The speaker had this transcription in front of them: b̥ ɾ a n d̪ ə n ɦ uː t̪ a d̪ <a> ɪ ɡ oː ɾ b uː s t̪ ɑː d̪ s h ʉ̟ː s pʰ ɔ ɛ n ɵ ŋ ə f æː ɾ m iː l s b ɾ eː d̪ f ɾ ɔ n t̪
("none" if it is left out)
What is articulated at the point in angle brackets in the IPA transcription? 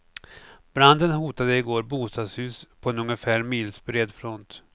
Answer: ə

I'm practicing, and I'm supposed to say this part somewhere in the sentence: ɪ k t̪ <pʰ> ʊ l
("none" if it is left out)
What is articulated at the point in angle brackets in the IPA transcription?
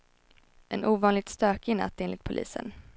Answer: pʰ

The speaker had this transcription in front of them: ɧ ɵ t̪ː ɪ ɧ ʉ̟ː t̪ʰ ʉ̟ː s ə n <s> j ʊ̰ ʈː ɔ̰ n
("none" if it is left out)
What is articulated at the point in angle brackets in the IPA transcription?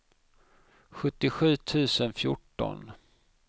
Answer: f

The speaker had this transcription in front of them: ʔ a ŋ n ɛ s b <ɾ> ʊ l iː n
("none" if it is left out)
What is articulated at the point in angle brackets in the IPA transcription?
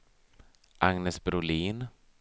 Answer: ɾ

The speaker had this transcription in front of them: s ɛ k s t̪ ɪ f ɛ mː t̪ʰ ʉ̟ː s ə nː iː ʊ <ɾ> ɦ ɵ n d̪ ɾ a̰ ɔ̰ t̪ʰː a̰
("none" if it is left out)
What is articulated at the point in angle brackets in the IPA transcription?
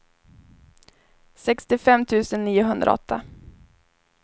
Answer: none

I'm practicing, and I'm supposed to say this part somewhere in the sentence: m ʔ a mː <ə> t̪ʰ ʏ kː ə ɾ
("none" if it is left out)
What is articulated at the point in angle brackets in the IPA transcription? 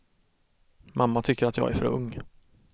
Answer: a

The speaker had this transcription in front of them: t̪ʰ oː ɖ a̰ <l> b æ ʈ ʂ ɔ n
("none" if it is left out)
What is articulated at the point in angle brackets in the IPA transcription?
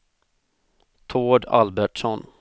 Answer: l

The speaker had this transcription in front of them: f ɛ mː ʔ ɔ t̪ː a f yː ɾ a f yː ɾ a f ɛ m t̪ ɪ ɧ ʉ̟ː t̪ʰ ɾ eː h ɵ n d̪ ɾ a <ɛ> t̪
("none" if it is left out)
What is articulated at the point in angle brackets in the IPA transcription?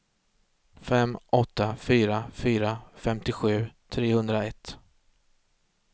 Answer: ɛ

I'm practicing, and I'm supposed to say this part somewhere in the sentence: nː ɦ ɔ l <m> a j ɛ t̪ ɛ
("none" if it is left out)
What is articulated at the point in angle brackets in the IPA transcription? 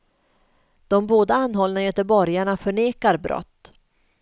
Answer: n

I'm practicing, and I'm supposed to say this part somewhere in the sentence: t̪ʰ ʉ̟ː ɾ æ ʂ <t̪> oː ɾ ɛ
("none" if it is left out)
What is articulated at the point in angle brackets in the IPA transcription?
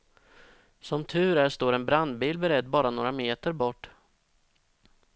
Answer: t̪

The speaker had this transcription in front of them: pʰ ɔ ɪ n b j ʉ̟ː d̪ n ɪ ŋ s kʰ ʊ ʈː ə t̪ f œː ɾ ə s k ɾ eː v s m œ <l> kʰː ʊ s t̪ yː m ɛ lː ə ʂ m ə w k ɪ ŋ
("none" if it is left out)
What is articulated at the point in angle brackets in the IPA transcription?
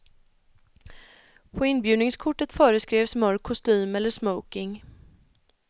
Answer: ɾ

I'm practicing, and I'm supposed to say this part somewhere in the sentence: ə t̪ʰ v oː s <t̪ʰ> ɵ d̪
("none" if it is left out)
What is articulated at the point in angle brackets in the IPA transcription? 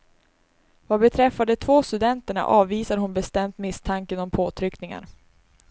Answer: t̪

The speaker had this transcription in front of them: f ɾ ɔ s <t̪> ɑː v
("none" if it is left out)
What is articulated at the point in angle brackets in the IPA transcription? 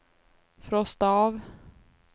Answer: t̪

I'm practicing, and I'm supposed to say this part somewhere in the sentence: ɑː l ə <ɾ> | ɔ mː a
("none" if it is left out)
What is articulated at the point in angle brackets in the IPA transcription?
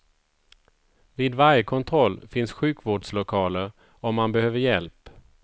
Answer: ɾ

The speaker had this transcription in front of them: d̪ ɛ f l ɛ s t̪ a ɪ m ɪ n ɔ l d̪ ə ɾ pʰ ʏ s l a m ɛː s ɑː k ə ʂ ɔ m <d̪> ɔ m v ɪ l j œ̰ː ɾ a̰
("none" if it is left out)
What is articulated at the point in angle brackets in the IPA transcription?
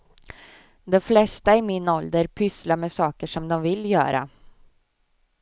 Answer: d̪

